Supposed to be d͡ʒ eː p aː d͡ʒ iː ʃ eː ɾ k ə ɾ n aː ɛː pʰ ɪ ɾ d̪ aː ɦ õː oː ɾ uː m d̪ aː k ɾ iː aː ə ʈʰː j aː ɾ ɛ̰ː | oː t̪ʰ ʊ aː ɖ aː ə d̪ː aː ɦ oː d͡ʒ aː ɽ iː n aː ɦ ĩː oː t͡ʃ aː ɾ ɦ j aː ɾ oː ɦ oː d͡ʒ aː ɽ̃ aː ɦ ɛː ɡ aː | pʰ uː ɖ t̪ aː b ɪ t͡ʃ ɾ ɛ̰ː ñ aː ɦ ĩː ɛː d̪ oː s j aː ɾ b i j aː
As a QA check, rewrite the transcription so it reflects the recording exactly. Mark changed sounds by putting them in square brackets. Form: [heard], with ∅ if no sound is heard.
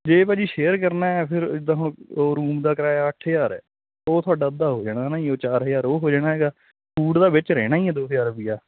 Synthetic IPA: d͡ʒ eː p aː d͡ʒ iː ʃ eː ɾ k ə ɾ n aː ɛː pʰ ɪ ɾ d̪ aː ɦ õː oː ɾ uː m d̪ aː k ɾ [aː] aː ə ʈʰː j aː ɾ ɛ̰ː | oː t̪ʰ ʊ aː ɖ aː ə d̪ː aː ɦ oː d͡ʒ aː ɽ [aː] n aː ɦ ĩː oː t͡ʃ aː ɾ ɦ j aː ɾ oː ɦ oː d͡ʒ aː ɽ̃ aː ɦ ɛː ɡ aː | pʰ uː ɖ [d̪] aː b ɪ t͡ʃ ɾ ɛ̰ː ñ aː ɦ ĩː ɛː d̪ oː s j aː ɾ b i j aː

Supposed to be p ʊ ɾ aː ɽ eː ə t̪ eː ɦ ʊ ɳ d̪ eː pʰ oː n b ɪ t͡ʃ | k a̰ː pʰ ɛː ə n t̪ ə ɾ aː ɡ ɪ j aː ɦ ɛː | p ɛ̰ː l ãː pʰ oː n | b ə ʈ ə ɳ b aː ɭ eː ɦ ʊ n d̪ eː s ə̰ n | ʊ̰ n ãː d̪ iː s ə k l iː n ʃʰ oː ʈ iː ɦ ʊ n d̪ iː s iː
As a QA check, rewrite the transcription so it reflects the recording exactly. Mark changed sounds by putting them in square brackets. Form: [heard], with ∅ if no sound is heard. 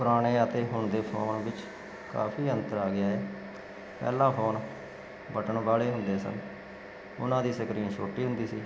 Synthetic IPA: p ʊ ɾ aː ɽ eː ə t̪ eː ɦ ʊ ɳ d̪ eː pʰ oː n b ɪ t͡ʃ | k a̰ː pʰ [iː] ə n t̪ ə ɾ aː ɡ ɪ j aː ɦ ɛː | p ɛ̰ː l ãː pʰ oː n | b ə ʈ ə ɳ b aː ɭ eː ɦ ʊ n d̪ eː s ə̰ n | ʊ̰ n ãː d̪ iː s ə k [ɾ] iː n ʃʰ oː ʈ iː ɦ ʊ n d̪ iː s iː

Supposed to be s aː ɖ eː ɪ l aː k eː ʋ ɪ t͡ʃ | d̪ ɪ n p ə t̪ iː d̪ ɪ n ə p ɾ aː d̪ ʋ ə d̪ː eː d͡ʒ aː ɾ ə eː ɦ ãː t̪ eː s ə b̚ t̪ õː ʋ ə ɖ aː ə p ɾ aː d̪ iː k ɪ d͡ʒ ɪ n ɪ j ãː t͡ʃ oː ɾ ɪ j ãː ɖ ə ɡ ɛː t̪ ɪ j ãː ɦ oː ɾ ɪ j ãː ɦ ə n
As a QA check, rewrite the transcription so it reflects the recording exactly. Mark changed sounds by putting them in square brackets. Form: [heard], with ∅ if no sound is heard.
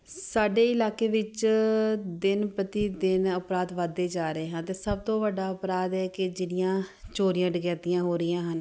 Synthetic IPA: s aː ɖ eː ɪ l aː k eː ʋ ɪ t͡ʃ | d̪ ɪ n p ə t̪ iː d̪ ɪ n ə p ɾ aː d̪ ʋ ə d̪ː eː d͡ʒ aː ɾ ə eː ɦ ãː t̪ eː s ə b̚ t̪ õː ʋ ə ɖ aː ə p ɾ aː d̪ [ɛː] k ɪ d͡ʒ ɪ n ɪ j ãː t͡ʃ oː ɾ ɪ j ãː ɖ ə ɡ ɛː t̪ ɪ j ãː ɦ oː ɾ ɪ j ãː ɦ ə n

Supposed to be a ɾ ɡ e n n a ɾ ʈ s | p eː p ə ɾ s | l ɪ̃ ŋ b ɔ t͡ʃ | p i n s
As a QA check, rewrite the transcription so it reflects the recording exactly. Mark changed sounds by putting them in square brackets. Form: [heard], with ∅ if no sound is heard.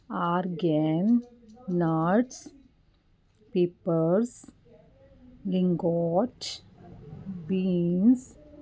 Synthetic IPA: a ɾ ɡ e n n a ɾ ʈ s | p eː p ə ɾ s | l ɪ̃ ŋ [ɡ] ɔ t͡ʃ | [b] i n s

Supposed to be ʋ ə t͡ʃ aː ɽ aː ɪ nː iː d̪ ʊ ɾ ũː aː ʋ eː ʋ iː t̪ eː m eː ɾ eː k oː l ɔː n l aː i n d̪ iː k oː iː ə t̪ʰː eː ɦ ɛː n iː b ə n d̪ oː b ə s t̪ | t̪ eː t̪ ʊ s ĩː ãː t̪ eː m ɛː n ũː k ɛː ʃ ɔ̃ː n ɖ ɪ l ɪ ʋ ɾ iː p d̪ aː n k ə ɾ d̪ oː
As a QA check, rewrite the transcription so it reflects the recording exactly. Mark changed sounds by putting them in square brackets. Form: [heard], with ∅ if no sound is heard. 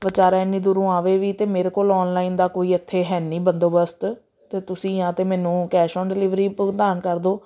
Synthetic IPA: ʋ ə t͡ʃ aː [ɾ] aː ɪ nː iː d̪ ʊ ɾ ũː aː ʋ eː ʋ iː t̪ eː m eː ɾ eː k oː l ɔː n l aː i n d̪ [aː] k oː iː ə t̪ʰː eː ɦ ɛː n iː b ə n d̪ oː b ə s t̪ | t̪ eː t̪ ʊ s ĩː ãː t̪ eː m ɛː n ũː k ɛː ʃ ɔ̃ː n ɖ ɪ l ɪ ʋ ɾ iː p d̪ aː n k ə ɾ d̪ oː

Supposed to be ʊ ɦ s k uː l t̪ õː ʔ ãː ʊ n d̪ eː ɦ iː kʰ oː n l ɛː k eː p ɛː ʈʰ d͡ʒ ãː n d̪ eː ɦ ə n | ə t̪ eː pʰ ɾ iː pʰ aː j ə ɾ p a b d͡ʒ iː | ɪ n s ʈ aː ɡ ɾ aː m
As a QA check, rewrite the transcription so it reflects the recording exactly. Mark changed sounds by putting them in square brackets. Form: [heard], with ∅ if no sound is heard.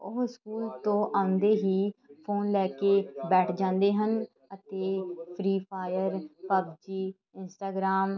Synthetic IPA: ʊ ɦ s k uː l t̪ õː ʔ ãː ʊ n d̪ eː ɦ iː [pʰ] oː n l ɛː k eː [b] ɛː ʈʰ d͡ʒ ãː n d̪ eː ɦ ə n | ə t̪ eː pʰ ɾ iː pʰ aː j ə ɾ p [ə] b d͡ʒ iː | ɪ n s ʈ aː ɡ ɾ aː m

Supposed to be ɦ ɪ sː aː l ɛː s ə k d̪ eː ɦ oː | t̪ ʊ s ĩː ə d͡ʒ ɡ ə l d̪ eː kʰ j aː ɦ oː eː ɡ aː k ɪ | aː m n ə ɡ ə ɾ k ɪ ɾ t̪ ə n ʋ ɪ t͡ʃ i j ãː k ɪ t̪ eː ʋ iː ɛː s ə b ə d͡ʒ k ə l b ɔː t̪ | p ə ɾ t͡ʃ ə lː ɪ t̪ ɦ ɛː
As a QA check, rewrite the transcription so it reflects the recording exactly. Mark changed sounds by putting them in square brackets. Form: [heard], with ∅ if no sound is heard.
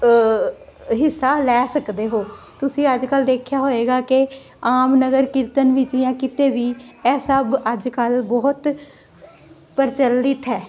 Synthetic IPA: ɦ ɪ sː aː l ɛː s ə k d̪ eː ɦ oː | t̪ ʊ s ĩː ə d͡ʒ [k] ə l d̪ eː kʰ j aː ɦ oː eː ɡ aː k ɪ | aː m n ə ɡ ə ɾ k ɪ ɾ t̪ ə n ʋ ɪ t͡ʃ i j ãː k ɪ t̪ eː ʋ iː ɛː s ə b ə d͡ʒ k ə l b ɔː t̪ | p ə ɾ t͡ʃ ə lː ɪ t̪ ɦ ɛː

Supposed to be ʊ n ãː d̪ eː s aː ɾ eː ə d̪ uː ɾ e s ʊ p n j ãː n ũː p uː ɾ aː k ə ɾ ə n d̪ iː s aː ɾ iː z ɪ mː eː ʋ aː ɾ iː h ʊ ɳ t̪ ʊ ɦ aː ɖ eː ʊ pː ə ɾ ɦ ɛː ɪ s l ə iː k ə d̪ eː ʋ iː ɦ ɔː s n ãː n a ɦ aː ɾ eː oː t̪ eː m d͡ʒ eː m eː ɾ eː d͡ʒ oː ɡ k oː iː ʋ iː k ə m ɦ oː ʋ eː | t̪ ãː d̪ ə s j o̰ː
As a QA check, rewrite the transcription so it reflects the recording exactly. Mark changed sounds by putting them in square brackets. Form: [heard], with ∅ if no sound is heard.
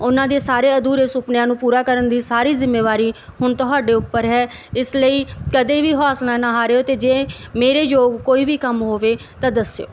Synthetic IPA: ʊ n ãː d̪ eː s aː ɾ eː ə d̪ uː ɾ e s ʊ p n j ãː n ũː p uː ɾ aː k ə ɾ ə n d̪ iː s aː ɾ iː z ɪ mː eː ʋ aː ɾ iː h ʊ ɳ t̪ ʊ ɦ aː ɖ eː ʊ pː ə ɾ ɦ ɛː ɪ s l ə iː k ə d̪ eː ʋ iː ɦ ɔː s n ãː n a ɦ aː ɾ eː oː t̪ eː [∅] d͡ʒ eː m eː ɾ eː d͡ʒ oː ɡ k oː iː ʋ iː k ə m ɦ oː ʋ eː | t̪ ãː d̪ ə s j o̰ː

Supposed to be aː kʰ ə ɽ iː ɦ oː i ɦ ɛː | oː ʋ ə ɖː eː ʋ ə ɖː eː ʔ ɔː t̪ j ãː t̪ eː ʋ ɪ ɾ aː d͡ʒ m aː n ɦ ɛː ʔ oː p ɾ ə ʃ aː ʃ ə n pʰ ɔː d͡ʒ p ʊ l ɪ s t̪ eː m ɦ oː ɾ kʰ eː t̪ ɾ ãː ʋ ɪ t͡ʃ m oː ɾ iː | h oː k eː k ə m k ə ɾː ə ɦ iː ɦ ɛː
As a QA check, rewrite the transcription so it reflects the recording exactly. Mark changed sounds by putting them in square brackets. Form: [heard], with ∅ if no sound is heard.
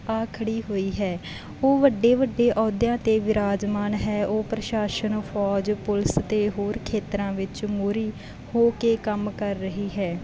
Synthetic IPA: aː kʰ ə ɽ iː ɦ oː [iː] ɦ ɛː | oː ʋ ə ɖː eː ʋ ə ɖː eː ʔ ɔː [d̪] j ãː t̪ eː ʋ ɪ ɾ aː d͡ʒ m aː n ɦ ɛː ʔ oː p ɾ ə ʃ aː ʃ ə n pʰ ɔː d͡ʒ p ʊ l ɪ s t̪ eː [∅] ɦ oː ɾ kʰ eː t̪ ɾ ãː ʋ ɪ t͡ʃ m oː ɾ iː | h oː k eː k ə m k ə ɾː ə ɦ iː ɦ ɛː

